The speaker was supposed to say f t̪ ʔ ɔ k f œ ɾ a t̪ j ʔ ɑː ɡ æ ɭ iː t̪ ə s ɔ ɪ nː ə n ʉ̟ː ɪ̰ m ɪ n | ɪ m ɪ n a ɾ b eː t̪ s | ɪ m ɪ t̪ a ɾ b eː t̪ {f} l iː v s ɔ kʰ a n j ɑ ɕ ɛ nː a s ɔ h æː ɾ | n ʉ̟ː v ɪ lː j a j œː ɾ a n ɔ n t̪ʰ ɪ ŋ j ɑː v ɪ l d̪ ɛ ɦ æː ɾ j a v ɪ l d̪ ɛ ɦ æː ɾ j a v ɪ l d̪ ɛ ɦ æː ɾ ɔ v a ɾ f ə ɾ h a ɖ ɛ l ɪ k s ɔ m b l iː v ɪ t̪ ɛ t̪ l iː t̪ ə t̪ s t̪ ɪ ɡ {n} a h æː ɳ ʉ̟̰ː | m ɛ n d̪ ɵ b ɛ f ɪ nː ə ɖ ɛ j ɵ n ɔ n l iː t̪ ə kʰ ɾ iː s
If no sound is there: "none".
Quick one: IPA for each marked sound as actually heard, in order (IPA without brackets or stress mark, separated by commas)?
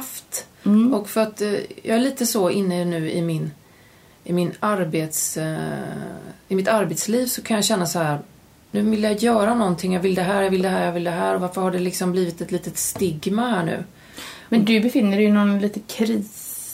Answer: s, m